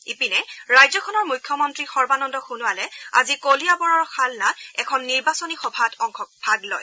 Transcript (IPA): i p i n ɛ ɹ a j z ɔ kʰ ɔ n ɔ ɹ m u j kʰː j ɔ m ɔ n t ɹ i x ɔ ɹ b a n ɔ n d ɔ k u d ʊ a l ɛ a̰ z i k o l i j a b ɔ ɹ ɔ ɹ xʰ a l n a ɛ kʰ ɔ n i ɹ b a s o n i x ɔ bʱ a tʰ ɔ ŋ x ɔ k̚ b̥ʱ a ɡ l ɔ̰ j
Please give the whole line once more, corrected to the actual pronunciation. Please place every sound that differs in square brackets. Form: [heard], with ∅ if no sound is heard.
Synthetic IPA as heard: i p i n ɛ ɹ a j z ɔ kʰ ɔ n ɔ ɹ m u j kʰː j ɔ m ɔ n t ɹ i x ɔ ɹ b a n ɔ n d ɔ [x] u [n] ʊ a l ɛ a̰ z i k o l i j a b ɔ ɹ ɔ ɹ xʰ a l n a ɛ kʰ ɔ [nː] i ɹ b a s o n i x ɔ bʱ a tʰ ɔ ŋ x ɔ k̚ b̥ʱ a ɡ l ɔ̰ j

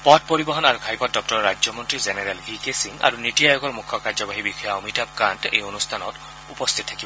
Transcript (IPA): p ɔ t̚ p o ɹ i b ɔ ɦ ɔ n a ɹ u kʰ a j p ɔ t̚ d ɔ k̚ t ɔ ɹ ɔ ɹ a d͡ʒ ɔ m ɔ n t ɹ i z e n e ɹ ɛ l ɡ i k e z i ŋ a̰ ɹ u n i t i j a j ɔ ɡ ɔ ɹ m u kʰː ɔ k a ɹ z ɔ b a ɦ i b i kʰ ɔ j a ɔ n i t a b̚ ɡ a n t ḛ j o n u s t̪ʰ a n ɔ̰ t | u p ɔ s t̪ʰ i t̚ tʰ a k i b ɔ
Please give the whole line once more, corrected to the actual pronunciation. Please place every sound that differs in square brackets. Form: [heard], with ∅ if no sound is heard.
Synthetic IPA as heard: p ɔ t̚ p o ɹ i b ɔ ɦ ɔ n a ɹ u kʰ a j p ɔ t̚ d ɔ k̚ t ɔ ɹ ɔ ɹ a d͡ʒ ɔ m ɔ n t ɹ i z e n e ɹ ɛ l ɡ i k e [s] i ŋ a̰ ɹ u n i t i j a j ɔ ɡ ɔ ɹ m u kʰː ɔ k a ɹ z ɔ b a ɦ i b i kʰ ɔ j a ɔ [m] i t a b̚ [k] a n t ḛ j o n u s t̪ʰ a n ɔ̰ t | u p ɔ s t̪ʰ i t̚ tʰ a k i b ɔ

